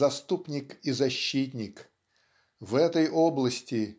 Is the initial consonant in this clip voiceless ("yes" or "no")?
yes